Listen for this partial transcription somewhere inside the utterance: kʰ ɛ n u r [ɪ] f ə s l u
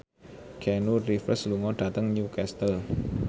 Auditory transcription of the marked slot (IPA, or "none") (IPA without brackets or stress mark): i